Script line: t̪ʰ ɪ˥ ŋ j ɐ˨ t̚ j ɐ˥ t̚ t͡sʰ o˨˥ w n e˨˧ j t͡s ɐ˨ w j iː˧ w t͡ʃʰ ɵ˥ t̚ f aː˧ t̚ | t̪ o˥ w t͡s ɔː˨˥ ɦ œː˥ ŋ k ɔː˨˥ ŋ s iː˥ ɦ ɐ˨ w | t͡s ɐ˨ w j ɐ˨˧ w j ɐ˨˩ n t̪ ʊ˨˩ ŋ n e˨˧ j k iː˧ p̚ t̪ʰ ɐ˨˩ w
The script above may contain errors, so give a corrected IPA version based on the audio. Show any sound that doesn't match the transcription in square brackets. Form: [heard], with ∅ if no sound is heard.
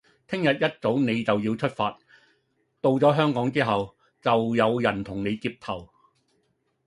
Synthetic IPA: t̪ʰ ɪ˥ ŋ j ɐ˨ t̚ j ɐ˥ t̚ [t͡s] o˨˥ w n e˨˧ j t͡s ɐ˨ w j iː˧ w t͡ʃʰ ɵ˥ t̚ f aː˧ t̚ | t̪ [o˨] w t͡s ɔː˨˥ ɦ œː˥ ŋ k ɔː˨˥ ŋ [t͡s] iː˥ ɦ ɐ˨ w | t͡s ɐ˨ w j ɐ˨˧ w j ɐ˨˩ n [t̪ʰ] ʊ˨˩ ŋ n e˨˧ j k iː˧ p̚ t̪ʰ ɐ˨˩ w